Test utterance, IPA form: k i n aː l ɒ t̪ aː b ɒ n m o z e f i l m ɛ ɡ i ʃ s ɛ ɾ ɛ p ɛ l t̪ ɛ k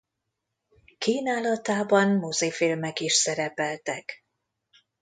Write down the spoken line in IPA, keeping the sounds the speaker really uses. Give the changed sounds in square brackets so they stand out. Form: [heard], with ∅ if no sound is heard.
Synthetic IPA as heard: k [iː] n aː l ɒ t̪ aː b ɒ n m o z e f i l m ɛ [k] i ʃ s ɛ ɾ ɛ p ɛ l t̪ ɛ k